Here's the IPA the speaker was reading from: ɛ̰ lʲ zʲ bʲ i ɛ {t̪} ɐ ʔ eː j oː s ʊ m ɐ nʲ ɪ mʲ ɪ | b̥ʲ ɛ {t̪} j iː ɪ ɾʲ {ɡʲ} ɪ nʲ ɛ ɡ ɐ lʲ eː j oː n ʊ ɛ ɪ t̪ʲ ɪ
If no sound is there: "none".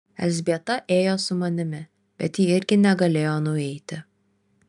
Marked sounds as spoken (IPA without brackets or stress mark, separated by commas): t̪, t̪, ɡʲ